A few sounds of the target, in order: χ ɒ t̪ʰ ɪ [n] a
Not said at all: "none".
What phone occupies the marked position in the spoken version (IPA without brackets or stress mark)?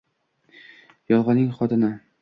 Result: n